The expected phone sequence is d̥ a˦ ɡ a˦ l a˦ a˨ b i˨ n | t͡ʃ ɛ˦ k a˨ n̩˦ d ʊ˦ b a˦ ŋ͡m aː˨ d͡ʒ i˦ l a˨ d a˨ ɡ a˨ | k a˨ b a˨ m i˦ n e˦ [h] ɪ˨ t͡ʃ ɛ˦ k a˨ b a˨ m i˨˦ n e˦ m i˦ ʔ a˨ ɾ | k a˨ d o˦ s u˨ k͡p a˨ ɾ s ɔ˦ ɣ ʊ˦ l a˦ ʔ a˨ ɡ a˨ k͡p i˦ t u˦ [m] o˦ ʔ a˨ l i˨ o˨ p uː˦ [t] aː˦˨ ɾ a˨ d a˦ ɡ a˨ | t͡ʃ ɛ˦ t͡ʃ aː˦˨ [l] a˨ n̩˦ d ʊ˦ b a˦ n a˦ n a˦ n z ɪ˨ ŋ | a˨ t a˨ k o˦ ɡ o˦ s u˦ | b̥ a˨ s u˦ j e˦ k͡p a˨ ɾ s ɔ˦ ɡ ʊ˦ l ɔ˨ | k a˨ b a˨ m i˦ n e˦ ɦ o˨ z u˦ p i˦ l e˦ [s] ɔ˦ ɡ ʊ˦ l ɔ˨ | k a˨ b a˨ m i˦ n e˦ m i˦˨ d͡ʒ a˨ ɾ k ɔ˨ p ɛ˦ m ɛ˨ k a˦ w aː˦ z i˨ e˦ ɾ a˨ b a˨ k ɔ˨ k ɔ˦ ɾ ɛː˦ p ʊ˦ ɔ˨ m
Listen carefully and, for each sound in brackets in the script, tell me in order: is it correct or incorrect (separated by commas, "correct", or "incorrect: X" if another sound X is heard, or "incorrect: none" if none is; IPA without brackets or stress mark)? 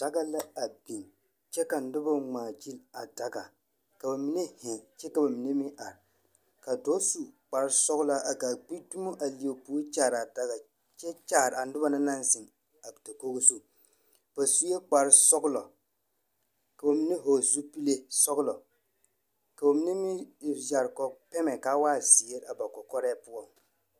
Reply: correct, correct, incorrect: t͡ʃ, incorrect: ɾ, correct